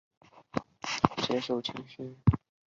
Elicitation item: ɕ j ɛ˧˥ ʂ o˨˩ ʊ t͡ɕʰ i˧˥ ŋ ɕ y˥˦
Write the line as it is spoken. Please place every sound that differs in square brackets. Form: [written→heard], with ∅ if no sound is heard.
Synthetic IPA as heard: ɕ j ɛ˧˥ ʂ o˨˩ ʊ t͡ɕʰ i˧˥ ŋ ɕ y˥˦